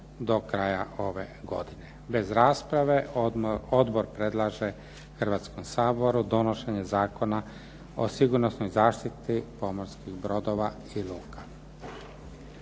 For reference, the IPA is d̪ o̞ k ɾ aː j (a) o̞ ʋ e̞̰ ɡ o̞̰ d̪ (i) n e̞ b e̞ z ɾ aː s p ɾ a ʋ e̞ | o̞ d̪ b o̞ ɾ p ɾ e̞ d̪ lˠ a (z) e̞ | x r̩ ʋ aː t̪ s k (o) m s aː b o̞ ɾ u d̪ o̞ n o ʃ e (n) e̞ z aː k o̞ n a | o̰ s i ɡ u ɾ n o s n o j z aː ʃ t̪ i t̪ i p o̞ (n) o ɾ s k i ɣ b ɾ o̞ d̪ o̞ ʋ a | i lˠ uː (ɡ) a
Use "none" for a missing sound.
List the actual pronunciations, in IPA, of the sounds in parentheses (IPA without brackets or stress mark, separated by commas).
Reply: a, i, ʒ, o, ɲ, m, k